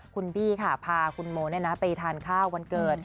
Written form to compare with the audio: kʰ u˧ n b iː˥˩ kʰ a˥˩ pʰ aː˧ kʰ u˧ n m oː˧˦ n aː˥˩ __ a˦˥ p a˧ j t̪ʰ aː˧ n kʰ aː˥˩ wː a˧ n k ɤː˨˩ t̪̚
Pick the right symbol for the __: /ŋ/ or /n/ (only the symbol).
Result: n